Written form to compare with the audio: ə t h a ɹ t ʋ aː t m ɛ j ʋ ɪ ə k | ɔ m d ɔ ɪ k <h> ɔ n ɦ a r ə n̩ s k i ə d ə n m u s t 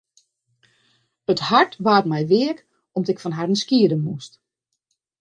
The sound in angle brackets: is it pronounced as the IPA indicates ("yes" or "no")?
no